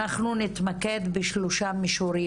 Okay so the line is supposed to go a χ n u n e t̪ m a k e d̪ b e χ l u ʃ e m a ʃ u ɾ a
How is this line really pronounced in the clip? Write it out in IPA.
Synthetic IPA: a χ n u n i t̪ m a k e d̪ b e ʃ l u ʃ a m i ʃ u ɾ i